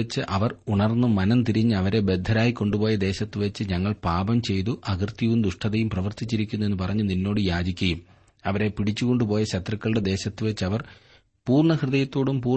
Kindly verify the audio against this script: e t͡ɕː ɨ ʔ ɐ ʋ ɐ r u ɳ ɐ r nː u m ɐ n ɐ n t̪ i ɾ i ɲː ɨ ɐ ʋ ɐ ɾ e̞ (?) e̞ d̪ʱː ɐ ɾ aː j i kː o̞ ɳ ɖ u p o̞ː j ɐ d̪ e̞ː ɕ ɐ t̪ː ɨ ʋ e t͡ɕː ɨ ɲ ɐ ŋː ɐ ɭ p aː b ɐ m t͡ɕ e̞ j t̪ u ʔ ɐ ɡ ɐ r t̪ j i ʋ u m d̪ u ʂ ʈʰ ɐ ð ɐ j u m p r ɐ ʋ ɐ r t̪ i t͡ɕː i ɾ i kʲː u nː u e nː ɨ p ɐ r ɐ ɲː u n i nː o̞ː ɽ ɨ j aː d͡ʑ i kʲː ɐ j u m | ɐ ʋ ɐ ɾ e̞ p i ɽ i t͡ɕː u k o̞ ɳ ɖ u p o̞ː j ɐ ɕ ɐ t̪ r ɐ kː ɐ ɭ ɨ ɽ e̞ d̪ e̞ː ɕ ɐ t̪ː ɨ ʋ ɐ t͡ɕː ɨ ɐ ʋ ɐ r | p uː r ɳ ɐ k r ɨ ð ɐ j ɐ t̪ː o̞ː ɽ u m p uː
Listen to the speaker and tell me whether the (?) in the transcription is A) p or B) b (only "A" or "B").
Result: B